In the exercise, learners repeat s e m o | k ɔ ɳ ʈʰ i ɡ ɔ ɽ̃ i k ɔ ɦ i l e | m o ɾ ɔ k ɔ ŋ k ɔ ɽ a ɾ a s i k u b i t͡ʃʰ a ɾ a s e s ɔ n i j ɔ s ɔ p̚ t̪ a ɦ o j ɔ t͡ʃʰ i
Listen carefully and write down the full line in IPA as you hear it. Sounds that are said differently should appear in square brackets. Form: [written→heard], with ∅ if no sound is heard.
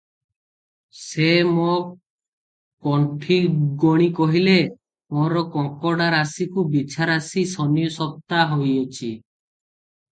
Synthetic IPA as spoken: s e m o | k ɔ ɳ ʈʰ i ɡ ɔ ɽ̃ i k ɔ ɦ i l e | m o ɾ ɔ k ɔ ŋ k ɔ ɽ a ɾ a s i k u b i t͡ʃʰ a ɾ a s [e→i] s ɔ n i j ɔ s ɔ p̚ t̪ a ɦ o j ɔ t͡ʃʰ i

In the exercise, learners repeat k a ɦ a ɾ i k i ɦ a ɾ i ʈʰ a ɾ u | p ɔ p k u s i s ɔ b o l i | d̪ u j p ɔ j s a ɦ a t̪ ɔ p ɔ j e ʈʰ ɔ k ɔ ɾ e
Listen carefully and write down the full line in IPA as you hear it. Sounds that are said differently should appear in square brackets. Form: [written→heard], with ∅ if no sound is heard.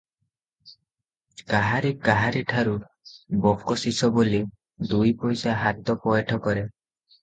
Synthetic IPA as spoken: k a ɦ a ɾ i k [i→a] ɦ a ɾ i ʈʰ a ɾ u | [p→b] ɔ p k [u→ɔ] s i s ɔ b o l i | d̪ u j p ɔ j s a ɦ a t̪ ɔ p ɔ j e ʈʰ ɔ k ɔ ɾ e

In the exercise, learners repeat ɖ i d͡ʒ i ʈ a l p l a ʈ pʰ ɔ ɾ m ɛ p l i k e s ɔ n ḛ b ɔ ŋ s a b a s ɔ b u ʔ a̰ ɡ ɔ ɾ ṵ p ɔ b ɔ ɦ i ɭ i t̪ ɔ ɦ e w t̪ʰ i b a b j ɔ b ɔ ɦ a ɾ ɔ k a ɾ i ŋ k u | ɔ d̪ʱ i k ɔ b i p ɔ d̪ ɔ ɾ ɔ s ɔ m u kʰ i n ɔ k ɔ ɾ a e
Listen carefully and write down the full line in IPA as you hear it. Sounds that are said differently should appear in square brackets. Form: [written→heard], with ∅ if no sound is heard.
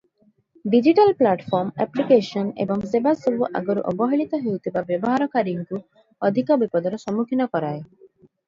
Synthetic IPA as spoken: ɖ i d͡ʒ i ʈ a l p l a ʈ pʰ ɔ ɾ m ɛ p l i k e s ɔ n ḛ b ɔ ŋ s [a→e] b a s ɔ b u ʔ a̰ ɡ ɔ ɾ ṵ [p→ʔ] ɔ b ɔ ɦ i ɭ i t̪ ɔ ɦ e w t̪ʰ i b a b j ɔ b ɔ ɦ a ɾ ɔ k a ɾ i ŋ k u | ɔ d̪ʱ i k ɔ b i p ɔ d̪ ɔ ɾ ɔ s ɔ m u kʰ i n ɔ k ɔ ɾ a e

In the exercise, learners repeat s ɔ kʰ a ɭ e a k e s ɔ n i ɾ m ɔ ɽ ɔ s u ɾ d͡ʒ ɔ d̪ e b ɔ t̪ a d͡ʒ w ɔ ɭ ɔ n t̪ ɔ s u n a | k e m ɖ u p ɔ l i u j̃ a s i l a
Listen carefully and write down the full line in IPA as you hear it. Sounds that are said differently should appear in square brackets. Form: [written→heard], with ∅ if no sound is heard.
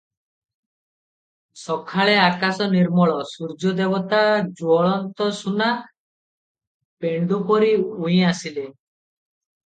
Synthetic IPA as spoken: s ɔ kʰ a ɭ e a k [e→a] s ɔ n i ɾ m ɔ [ɽ→ɭ] ɔ s u ɾ d͡ʒ ɔ d̪ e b ɔ t̪ a d͡ʒ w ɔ ɭ ɔ n t̪ ɔ s u n a | [k→p] e [m→ɳ] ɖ u p ɔ [l→ɾ] i u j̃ a s i l [a→e]

